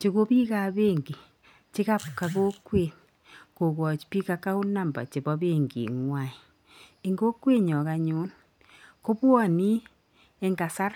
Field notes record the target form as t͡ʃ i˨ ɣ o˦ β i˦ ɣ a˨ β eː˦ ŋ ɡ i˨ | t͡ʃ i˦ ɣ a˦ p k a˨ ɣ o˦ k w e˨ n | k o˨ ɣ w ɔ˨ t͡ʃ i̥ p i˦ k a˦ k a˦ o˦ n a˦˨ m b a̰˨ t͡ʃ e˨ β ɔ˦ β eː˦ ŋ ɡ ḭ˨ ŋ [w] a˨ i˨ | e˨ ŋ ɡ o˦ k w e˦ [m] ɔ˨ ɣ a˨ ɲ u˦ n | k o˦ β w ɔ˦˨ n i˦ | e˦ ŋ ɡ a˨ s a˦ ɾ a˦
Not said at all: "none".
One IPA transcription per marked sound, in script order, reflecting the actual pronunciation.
w, ɲ

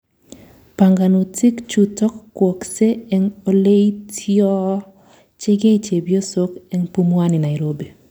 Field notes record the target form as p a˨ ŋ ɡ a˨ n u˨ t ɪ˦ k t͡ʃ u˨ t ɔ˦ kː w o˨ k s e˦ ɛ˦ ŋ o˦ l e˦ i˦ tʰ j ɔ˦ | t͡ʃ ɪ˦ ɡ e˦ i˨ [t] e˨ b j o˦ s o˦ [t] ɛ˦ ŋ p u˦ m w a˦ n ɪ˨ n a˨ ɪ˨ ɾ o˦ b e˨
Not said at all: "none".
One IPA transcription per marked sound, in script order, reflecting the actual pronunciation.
t͡ʃ, k

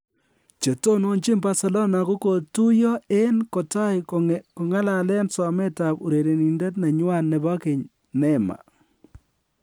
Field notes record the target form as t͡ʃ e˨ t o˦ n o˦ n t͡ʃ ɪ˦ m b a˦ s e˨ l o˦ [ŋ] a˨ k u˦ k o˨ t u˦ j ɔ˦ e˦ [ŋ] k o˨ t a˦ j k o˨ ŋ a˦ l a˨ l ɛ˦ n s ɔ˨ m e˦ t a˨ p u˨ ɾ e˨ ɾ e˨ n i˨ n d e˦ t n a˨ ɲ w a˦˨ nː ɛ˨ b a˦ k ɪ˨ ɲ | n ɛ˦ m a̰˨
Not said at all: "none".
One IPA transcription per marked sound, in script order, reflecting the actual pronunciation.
n, n

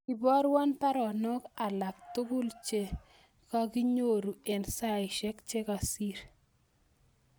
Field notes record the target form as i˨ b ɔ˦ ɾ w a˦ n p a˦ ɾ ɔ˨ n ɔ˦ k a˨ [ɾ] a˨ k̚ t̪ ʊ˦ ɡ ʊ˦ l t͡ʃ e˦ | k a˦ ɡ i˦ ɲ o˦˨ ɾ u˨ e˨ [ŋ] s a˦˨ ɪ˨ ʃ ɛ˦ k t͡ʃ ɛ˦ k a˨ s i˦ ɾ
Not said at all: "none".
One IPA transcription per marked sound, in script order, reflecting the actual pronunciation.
l, n

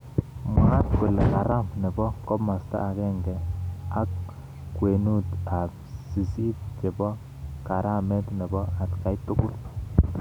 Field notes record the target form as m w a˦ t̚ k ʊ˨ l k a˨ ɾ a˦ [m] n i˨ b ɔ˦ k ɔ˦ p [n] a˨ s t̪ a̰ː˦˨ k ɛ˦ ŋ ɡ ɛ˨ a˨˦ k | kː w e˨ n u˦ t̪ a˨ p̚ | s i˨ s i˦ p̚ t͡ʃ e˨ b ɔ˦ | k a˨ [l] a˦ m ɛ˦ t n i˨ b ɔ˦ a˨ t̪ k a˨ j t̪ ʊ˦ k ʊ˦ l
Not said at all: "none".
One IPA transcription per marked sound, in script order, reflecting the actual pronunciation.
m, m, ɾ

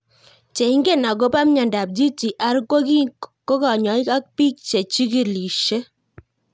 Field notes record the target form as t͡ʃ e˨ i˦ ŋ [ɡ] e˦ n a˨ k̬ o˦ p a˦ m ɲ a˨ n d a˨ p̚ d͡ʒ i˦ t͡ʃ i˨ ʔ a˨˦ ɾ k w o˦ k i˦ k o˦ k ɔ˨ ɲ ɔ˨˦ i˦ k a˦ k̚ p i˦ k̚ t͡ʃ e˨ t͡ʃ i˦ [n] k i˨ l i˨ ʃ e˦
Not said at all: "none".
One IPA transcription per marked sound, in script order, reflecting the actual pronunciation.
ɡ, none

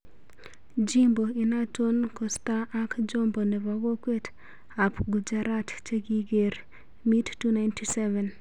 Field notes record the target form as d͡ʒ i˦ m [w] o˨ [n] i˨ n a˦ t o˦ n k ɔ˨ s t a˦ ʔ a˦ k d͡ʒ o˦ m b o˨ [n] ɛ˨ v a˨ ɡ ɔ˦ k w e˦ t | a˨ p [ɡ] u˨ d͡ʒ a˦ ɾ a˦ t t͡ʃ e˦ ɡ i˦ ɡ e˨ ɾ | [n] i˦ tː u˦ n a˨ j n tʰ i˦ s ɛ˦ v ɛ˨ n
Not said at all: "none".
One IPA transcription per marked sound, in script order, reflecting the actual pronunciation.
b, none, n, ɡ, m

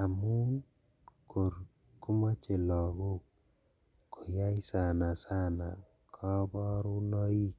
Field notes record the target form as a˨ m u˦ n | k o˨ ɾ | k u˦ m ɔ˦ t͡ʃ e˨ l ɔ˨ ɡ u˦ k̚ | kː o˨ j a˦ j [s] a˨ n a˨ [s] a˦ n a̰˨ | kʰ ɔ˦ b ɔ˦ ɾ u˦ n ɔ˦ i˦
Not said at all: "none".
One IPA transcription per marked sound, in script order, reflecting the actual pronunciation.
s, s

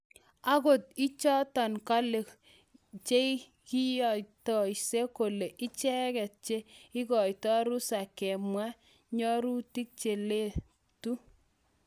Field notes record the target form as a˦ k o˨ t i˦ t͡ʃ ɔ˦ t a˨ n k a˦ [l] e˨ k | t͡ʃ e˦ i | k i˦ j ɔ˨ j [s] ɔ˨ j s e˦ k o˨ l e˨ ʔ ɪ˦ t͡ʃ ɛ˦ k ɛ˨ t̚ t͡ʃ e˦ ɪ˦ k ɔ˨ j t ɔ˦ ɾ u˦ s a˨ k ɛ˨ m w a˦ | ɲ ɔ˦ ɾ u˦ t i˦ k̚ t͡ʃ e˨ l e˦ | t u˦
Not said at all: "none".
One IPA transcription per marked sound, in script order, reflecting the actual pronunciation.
l, t

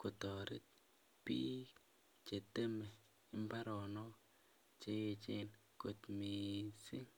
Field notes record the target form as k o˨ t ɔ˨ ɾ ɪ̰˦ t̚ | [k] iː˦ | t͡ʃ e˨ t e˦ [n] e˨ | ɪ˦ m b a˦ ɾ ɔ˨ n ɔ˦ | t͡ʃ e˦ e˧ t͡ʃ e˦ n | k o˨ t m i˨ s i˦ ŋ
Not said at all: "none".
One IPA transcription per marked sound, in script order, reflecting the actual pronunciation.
p, m

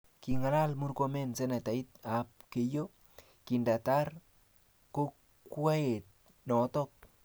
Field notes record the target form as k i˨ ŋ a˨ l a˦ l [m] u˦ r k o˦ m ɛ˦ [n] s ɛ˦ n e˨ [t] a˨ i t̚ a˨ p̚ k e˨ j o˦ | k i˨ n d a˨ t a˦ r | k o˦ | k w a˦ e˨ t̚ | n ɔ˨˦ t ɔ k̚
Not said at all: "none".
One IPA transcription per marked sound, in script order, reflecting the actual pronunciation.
m, n, t

